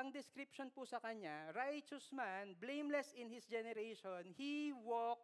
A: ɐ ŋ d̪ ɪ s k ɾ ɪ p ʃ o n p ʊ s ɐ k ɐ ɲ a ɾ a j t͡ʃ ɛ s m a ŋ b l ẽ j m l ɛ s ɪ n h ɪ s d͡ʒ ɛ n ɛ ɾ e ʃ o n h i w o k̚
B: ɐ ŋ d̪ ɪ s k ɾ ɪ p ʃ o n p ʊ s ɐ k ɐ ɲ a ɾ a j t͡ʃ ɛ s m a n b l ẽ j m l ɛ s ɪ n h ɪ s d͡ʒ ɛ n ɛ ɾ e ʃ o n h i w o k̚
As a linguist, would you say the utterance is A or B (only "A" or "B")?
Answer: B